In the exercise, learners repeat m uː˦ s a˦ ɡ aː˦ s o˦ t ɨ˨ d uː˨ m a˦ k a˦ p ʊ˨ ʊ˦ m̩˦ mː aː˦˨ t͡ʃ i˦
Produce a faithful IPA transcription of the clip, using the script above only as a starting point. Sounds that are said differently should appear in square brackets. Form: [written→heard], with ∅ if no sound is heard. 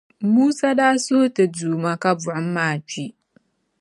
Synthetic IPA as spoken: m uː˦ s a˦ [ɡ→d] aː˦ s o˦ t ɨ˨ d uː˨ m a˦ k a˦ [p→b] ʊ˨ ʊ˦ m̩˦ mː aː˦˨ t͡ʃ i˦